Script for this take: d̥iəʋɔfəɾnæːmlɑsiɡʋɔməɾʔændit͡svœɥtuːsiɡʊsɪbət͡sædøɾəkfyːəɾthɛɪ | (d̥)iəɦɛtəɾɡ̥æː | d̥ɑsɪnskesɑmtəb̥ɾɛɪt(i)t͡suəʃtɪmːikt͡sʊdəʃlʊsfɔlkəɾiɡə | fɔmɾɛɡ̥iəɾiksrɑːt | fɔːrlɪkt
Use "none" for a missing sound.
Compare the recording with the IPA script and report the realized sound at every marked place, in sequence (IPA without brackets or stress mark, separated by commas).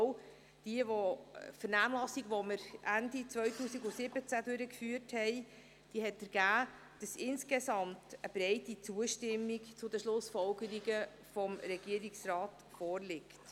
d̥, i